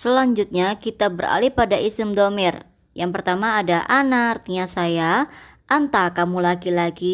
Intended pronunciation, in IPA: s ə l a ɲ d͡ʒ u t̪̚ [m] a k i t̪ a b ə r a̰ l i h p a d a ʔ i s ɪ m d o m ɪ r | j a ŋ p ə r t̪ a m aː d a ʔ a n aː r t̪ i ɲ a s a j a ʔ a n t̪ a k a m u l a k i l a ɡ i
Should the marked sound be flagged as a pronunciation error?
yes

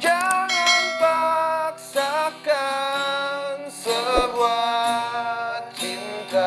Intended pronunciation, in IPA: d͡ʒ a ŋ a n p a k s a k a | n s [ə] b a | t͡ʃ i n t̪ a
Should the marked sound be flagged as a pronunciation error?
no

